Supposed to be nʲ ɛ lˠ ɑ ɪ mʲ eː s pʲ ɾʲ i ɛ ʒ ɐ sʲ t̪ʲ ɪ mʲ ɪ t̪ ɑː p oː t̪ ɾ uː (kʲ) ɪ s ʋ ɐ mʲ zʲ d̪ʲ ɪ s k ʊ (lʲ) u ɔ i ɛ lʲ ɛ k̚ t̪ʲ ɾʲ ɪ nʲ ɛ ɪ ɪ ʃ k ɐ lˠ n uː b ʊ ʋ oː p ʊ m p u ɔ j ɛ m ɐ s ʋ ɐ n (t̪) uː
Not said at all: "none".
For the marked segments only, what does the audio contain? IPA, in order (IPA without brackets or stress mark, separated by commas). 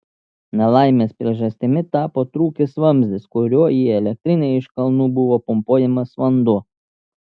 kʲ, ɾʲ, d̪